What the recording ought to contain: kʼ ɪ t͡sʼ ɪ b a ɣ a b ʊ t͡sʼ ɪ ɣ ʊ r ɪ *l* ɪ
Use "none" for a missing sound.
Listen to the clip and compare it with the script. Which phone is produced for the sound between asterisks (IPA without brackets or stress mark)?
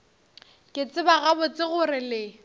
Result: l